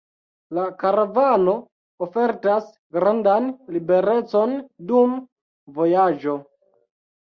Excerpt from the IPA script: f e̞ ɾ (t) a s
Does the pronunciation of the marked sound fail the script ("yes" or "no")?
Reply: no